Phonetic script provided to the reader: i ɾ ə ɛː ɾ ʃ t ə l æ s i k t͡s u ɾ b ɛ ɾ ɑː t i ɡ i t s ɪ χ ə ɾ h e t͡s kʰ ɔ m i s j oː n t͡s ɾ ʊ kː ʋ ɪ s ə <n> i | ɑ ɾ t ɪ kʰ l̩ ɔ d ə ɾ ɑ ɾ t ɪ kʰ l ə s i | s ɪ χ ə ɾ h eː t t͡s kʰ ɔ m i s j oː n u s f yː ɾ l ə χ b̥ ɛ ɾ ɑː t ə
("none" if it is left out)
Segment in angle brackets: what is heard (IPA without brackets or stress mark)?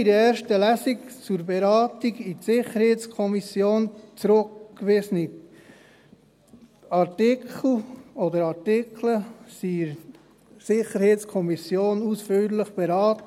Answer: n